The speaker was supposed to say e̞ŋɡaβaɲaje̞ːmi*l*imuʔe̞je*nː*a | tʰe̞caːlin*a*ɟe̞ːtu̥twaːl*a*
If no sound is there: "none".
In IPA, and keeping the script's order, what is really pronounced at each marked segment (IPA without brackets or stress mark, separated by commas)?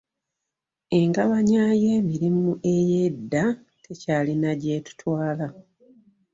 ɾ, dː, a, a